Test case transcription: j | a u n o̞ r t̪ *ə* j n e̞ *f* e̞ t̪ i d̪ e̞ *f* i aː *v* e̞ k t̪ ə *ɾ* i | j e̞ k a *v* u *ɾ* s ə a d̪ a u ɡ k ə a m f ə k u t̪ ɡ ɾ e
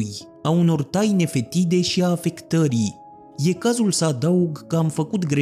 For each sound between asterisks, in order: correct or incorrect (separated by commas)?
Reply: incorrect, correct, incorrect, incorrect, correct, incorrect, incorrect